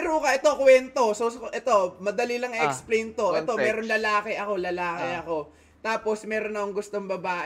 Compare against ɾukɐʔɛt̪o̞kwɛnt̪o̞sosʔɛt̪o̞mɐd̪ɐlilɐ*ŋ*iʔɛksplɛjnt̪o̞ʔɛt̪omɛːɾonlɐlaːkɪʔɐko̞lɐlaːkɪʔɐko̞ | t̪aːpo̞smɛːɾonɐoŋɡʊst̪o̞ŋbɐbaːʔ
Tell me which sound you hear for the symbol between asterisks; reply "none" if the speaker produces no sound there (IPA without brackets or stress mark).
ŋ